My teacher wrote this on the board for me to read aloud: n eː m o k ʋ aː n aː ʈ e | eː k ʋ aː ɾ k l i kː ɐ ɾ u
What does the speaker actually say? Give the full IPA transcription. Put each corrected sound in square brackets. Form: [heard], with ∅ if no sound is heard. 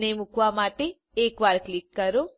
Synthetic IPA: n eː m [u] k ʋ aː [m] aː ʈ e | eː k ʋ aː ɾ k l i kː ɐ ɾ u